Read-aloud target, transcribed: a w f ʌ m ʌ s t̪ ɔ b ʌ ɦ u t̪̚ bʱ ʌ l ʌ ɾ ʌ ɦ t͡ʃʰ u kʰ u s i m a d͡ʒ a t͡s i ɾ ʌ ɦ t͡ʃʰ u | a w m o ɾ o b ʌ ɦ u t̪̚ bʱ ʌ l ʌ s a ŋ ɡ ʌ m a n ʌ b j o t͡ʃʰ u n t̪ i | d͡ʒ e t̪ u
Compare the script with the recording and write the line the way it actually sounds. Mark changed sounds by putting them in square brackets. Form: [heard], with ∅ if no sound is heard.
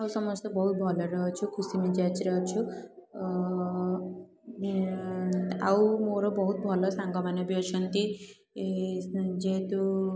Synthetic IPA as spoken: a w [s] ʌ m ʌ s t̪ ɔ b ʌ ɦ u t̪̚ bʱ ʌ l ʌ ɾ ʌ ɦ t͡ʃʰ u kʰ u s i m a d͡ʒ a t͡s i ɾ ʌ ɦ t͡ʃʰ u | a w m o ɾ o b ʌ ɦ u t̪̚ bʱ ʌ l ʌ s a ŋ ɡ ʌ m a n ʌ b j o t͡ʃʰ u n t̪ i | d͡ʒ e t̪ u

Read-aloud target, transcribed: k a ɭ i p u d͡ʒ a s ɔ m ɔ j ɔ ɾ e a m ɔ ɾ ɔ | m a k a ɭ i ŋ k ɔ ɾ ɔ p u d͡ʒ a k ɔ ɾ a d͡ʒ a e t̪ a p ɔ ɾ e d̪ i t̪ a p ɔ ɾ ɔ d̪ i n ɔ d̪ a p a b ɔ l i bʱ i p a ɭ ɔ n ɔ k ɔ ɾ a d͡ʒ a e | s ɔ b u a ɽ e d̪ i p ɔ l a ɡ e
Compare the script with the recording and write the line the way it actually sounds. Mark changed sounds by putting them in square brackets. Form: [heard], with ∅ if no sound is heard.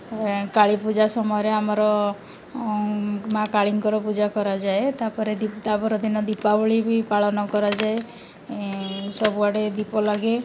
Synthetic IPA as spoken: k a ɭ i p u d͡ʒ a s ɔ m ɔ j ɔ ɾ e a m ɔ ɾ ɔ | m a k a ɭ i ŋ k ɔ ɾ ɔ p u d͡ʒ a k ɔ ɾ a d͡ʒ a e t̪ a p ɔ ɾ e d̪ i t̪ a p ɔ ɾ ɔ d̪ i n ɔ d̪ [i] p a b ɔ [ɭ] i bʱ i p a ɭ ɔ n ɔ k ɔ ɾ a d͡ʒ a e | s ɔ b u a ɽ e d̪ i p ɔ l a ɡ e

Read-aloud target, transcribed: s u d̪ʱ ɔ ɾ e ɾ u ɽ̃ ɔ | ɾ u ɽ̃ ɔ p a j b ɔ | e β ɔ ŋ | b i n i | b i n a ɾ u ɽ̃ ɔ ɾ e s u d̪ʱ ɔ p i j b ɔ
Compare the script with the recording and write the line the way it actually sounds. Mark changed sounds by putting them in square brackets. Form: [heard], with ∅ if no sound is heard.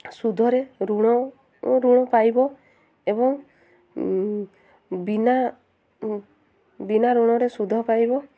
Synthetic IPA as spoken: s u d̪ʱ ɔ ɾ e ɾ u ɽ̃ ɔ | ɾ u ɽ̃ ɔ p a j b ɔ | e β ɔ ŋ | b i n [a] | b i n a ɾ u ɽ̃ ɔ ɾ e s u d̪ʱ ɔ p [a] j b ɔ

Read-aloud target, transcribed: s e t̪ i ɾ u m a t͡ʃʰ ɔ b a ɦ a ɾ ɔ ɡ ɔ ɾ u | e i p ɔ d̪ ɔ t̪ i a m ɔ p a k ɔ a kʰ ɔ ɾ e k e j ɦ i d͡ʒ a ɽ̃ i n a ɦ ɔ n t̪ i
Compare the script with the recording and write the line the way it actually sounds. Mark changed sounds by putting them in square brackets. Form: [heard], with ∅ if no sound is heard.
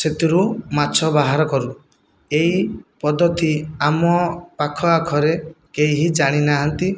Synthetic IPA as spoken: s e t̪ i ɾ u m a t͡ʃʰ ɔ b a ɦ a ɾ ɔ [k] ɔ ɾ u | e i p ɔ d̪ ɔ t̪ i a m ɔ p a [kʰ] ɔ a kʰ ɔ ɾ e k e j ɦ i d͡ʒ a ɽ̃ i n a ɦ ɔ n t̪ i

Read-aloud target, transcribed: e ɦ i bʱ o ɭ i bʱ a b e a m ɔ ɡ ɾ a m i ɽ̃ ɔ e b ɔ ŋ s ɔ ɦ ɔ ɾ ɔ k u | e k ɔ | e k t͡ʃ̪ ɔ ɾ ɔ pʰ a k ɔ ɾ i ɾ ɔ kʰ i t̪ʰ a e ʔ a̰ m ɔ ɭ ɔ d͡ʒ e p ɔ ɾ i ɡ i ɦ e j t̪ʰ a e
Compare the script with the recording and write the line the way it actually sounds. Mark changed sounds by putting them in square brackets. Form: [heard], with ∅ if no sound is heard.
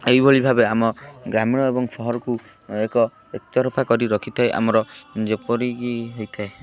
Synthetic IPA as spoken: e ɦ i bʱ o ɭ i bʱ a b e a m ɔ ɡ ɾ a m i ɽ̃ ɔ e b ɔ ŋ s ɔ ɦ ɔ ɾ ɔ k u | e k ɔ | e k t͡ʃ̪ ɔ ɾ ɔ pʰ a k ɔ ɾ i ɾ ɔ kʰ i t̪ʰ a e ʔ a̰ m ɔ [ɾ] ɔ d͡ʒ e p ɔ ɾ i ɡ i ɦ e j t̪ʰ a e

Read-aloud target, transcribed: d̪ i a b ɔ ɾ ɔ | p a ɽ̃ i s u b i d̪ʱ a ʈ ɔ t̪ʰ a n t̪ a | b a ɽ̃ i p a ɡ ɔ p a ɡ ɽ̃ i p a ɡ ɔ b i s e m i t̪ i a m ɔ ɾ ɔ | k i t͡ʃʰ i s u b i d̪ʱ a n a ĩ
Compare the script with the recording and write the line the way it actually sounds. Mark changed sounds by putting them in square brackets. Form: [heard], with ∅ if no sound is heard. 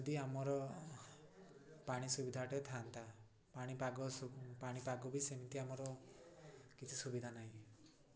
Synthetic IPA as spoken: d̪ i a [m] ɔ ɾ ɔ | p a ɽ̃ i s u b i d̪ʱ a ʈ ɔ t̪ʰ a n t̪ a | [p] a ɽ̃ i p a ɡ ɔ p a [∅] ɽ̃ i p a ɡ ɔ b i s e m i t̪ i a m ɔ ɾ ɔ | k i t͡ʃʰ i s u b i d̪ʱ a n a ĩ

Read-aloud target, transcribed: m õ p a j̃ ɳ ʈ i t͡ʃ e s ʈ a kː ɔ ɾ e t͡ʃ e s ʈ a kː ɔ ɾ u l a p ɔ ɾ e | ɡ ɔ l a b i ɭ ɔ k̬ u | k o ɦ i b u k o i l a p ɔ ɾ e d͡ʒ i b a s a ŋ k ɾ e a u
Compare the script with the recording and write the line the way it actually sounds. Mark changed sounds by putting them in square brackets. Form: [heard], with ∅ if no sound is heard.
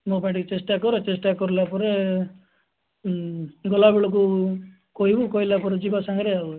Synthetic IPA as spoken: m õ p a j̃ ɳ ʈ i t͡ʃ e s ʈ a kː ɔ ɾ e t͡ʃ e s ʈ a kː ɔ ɾ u l a p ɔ ɾ e | ɡ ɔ l a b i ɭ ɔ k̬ u | k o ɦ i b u k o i l a p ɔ ɾ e d͡ʒ i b a s a ŋ [ɡ] ɾ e a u

